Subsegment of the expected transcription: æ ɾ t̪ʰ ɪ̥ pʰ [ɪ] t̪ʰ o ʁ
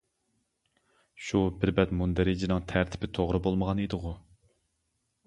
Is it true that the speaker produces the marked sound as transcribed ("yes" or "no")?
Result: yes